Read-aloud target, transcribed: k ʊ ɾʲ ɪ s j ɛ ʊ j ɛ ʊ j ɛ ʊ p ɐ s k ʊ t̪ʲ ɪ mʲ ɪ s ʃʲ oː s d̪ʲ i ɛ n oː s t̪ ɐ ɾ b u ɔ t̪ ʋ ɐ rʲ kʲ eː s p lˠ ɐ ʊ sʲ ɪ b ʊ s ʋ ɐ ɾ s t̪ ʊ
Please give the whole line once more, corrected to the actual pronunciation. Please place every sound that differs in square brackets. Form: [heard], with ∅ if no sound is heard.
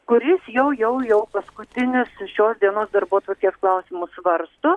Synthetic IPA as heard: k ʊ ɾʲ ɪ s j ɛ ʊ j ɛ ʊ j ɛ ʊ p ɐ s k ʊ t̪ʲ ɪ [nʲ] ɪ s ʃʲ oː s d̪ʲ i ɛ n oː s [d̪] ɐ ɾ b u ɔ t̪ ʋ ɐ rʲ kʲ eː s [k] lˠ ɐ ʊ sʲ ɪ [m] ʊ s ʋ ɐ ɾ s t̪ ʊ